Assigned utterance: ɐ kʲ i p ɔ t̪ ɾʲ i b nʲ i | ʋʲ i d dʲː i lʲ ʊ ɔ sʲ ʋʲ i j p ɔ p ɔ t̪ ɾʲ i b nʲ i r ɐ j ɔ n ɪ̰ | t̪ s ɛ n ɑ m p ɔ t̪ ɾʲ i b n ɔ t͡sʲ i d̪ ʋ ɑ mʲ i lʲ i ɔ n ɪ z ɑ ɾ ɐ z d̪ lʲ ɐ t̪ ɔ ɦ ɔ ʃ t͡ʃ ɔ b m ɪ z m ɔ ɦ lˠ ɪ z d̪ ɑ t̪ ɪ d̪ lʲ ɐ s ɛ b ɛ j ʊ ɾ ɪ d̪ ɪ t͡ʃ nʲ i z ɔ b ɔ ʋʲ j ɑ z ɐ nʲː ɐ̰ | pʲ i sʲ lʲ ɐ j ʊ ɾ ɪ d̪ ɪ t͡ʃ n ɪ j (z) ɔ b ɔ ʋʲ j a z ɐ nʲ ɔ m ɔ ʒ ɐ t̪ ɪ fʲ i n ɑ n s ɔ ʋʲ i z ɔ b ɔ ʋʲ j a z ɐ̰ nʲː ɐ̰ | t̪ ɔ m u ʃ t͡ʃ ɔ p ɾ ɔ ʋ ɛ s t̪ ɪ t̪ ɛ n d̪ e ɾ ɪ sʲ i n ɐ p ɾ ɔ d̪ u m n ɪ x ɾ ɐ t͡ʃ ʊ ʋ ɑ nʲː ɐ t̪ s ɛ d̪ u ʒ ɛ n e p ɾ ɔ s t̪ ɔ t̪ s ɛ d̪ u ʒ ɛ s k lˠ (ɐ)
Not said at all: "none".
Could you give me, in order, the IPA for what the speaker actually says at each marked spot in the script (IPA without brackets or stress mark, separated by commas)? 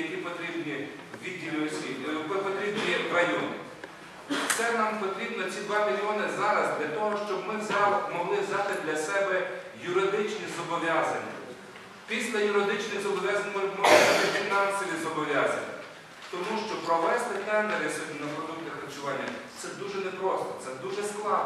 z, ɑ